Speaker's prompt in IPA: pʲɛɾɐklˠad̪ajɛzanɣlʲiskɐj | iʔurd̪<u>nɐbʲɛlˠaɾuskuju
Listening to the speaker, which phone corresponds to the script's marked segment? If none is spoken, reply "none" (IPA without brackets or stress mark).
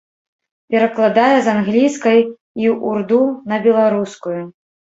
u